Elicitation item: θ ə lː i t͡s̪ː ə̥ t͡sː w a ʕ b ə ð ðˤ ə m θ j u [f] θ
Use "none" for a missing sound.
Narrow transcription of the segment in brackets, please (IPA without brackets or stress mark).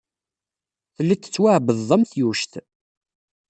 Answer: ʃ